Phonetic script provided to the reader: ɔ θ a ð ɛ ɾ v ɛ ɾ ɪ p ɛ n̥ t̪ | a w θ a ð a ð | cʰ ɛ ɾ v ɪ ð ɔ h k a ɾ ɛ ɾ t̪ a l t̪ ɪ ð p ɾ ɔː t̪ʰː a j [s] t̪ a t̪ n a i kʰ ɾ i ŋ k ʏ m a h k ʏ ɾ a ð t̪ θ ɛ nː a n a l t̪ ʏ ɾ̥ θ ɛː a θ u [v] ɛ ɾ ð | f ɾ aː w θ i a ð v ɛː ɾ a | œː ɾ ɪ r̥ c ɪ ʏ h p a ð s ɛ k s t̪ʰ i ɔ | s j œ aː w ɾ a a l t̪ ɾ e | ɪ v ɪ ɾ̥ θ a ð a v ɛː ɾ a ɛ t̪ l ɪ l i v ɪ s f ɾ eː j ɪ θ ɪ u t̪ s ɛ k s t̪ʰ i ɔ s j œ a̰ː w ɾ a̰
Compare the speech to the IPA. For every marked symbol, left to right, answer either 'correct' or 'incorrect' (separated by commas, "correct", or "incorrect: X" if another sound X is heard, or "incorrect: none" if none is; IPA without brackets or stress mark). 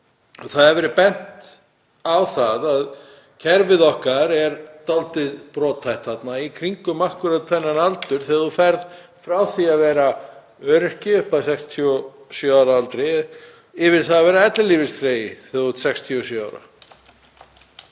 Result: incorrect: h, incorrect: f